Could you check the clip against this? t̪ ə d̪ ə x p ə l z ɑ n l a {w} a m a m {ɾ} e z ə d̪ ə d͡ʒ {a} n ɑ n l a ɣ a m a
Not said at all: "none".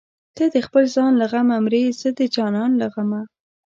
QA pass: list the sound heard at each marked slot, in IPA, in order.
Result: ɣ, ɾ, ɑ

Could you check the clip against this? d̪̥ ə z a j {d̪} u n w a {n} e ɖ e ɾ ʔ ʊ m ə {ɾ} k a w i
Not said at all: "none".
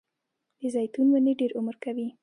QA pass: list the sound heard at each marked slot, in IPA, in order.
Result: t̪, n, ɾ

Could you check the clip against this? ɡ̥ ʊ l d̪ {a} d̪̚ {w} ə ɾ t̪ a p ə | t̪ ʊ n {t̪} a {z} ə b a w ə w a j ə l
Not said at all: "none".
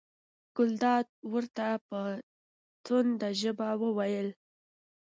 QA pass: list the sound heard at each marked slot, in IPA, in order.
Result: ɑ, w, d̪, ʒ

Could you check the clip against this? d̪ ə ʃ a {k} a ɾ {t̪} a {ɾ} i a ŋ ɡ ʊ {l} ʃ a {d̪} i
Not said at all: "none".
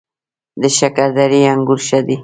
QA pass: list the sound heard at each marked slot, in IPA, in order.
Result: k, d̪, ɾ, ɾ, d̪

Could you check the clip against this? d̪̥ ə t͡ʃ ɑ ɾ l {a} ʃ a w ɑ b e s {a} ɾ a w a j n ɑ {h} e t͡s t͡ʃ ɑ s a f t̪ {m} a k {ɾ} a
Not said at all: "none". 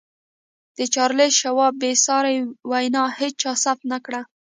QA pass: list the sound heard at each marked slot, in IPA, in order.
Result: e, ɑ, h, n, ɽ

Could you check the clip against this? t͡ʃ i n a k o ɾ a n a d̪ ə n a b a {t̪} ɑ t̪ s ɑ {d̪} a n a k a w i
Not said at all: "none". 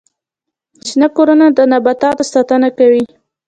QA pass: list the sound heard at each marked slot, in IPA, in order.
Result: t̪, t̪

